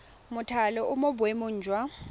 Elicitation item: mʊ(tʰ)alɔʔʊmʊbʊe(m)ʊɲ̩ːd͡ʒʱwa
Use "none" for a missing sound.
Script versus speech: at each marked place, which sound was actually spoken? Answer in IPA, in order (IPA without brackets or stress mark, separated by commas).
tʰ, m